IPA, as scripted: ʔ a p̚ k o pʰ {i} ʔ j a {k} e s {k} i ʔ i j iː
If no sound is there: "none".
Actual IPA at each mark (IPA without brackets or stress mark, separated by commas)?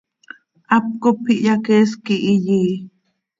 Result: i, k, k